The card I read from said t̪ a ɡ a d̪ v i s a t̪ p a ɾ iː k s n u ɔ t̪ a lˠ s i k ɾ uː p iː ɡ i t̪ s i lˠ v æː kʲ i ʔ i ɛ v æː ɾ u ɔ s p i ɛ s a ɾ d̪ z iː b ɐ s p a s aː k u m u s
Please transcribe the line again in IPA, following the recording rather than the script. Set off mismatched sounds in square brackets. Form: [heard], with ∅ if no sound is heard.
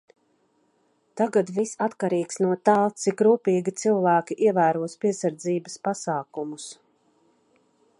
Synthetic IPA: t̪ a ɡ a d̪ v i s a t̪ [k] a ɾ iː k s n u ɔ t̪ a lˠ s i k ɾ uː p iː ɡ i t̪ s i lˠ v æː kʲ i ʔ i ɛ v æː ɾ u ɔ s p i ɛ s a ɾ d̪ z iː b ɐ s p a s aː k u m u s